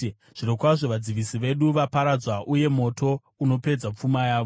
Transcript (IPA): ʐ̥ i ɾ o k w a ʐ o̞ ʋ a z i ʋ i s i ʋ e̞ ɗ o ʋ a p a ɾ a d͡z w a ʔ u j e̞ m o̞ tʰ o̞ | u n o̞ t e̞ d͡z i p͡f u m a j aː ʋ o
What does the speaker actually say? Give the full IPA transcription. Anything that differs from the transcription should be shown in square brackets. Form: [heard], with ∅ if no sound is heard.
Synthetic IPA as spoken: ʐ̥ i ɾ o k w a ʐ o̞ ʋ a [d͡z] i ʋ i s i ʋ e̞ ɗ [u] ʋ a p a ɾ a d͡z w a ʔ u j e̞ m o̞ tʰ o̞ | u n o̞ [p] e̞ d͡z [a] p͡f u m a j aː ʋ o